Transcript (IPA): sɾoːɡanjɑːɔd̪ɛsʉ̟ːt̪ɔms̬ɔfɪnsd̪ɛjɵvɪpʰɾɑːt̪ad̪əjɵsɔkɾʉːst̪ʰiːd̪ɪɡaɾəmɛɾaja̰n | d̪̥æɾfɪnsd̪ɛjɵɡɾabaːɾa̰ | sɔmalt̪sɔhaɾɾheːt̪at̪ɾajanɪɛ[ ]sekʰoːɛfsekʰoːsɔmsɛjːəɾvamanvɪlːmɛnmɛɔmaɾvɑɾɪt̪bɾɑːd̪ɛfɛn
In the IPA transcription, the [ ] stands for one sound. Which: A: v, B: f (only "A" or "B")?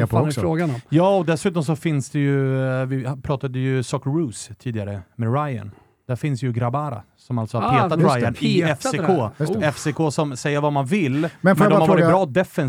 B